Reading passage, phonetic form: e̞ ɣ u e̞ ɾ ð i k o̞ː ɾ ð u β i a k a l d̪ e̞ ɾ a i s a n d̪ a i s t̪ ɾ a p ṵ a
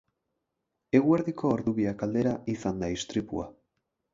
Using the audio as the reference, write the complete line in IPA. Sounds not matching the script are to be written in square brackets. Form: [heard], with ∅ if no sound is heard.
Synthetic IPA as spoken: e̞ ɣ u e̞ ɾ ð i k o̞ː ɾ ð u β i a k a l d̪ e̞ ɾ a i s a n d̪ a i s t̪ ɾ [i] p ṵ a